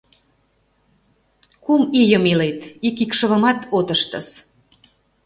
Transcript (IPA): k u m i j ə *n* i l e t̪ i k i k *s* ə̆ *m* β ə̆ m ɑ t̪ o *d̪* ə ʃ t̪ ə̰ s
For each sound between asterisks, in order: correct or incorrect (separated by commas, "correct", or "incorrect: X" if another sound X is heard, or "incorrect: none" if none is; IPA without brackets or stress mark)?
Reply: incorrect: m, incorrect: ʃ, incorrect: none, incorrect: t̪